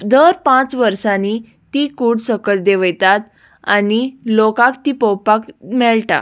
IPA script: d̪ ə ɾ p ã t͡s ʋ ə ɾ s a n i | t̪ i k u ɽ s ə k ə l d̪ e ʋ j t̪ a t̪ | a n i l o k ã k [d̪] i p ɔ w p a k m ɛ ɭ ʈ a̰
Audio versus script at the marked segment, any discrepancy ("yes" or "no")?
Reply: yes